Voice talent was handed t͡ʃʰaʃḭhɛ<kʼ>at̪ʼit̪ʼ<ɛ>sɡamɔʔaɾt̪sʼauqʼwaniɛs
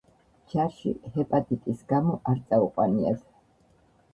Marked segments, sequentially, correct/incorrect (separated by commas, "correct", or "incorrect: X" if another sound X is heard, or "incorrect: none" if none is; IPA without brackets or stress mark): incorrect: pʼ, incorrect: i